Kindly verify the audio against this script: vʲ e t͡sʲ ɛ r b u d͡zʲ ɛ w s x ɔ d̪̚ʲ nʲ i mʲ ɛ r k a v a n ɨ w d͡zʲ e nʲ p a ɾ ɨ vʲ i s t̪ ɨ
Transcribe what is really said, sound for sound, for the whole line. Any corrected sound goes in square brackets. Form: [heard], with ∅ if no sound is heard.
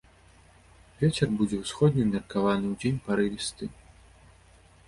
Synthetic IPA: vʲ e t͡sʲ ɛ r b u d͡zʲ ɛ w s x ɔ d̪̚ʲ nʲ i mʲ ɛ r k a v a n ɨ w d͡zʲ e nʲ p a ɾ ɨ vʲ i s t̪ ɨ